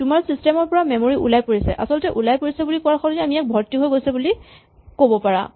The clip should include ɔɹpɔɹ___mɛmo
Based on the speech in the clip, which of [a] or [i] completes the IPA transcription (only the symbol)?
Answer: a